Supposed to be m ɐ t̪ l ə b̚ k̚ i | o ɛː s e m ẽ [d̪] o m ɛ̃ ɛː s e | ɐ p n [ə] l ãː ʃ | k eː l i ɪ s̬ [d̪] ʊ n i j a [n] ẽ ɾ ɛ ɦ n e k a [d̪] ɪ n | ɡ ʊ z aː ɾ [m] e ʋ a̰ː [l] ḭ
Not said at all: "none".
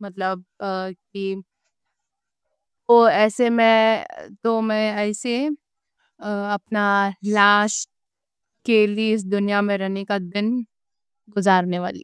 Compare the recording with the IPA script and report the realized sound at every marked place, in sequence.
t̪, a, d̪, m, d̪, n, l

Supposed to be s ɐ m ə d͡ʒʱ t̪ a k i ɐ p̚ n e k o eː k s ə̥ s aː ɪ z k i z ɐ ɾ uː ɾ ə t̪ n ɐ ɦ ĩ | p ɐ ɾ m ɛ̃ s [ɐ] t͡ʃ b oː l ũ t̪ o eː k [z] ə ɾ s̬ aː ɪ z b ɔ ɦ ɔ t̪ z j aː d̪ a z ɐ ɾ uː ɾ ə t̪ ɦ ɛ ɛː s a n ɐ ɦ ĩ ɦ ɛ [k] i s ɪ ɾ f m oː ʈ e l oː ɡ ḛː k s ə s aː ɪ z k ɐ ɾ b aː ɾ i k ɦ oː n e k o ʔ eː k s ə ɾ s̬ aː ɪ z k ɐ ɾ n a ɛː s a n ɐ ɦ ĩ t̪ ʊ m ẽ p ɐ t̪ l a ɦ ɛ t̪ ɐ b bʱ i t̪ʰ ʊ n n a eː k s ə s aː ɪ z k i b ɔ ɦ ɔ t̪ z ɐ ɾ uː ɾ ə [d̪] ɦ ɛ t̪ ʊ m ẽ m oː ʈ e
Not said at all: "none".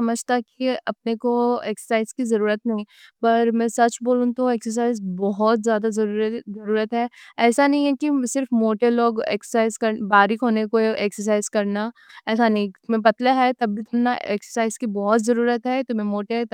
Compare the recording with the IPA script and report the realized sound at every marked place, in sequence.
ɐ, s, k, t̪

